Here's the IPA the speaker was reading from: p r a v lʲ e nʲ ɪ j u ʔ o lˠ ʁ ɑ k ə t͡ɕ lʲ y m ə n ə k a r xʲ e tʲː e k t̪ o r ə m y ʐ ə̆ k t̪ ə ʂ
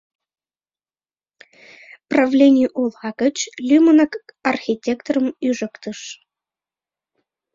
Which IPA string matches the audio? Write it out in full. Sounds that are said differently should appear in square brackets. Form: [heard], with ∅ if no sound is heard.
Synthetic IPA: p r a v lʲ e nʲ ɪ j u ʔ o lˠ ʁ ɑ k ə t͡ɕ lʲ y m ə n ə k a r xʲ [i] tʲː e k t̪ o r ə m y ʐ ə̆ k t̪ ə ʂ